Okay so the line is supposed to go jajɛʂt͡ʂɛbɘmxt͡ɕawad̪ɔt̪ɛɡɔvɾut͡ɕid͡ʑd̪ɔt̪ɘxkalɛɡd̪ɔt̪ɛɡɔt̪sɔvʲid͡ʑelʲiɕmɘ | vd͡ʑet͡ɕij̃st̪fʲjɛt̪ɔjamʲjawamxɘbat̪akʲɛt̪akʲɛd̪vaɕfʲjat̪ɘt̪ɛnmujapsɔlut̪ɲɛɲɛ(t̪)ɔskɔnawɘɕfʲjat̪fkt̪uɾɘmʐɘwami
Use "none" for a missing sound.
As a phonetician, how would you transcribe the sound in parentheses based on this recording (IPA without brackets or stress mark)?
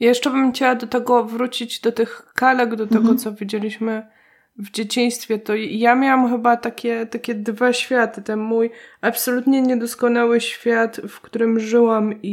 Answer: d̪